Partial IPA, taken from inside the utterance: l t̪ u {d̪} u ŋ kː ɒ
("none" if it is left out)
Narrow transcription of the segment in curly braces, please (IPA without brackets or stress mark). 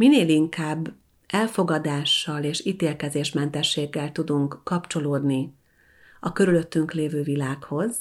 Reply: d̪